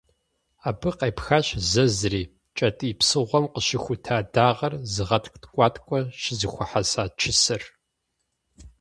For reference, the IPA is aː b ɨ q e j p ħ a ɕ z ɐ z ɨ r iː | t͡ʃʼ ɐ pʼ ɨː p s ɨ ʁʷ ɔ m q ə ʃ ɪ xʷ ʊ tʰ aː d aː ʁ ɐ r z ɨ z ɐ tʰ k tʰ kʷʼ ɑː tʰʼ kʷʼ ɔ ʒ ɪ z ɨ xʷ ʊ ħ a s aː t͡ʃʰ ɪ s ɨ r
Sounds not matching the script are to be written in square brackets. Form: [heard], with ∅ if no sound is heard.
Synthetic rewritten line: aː b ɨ q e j p [x] a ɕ z ɐ z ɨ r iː | t͡ʃʼ ɐ [tʼ] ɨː p s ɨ ʁʷ ɔ m q ə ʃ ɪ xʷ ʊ tʰ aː d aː ʁ ɐ r z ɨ [ʁ] ɐ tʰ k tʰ kʷʼ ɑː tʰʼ kʷʼ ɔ [ʃ] ɪ z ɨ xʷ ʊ ħ a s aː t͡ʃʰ ɪ s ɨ r